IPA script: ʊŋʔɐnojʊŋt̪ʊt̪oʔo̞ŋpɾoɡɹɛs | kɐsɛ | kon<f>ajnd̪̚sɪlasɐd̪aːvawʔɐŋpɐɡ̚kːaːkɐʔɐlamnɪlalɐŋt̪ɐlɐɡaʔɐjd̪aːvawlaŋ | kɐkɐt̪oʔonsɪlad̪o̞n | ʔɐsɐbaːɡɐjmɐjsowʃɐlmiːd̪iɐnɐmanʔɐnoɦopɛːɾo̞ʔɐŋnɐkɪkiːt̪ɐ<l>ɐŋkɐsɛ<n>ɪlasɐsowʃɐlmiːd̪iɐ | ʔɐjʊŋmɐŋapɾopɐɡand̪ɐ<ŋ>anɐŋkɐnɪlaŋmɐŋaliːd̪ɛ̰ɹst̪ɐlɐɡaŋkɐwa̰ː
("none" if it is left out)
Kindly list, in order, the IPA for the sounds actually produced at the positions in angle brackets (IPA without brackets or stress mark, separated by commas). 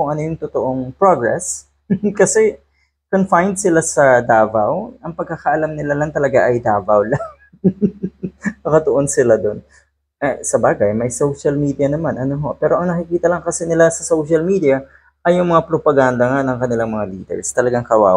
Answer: f, l, n, ŋ